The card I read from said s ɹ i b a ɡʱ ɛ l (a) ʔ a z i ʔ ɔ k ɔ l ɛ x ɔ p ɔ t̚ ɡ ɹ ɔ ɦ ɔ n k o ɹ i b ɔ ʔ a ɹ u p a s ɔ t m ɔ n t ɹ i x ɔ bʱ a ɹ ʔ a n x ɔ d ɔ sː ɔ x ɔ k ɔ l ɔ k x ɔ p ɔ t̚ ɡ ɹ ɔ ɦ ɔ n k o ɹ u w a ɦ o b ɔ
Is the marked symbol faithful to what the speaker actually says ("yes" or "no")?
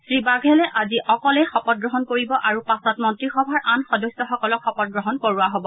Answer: no